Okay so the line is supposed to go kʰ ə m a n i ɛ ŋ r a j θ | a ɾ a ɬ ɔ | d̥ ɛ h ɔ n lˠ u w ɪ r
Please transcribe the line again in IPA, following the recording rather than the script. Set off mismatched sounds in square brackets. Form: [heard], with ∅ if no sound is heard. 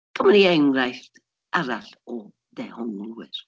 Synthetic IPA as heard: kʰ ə m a n i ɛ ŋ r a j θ | a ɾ a ɬ ɔ | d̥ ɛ h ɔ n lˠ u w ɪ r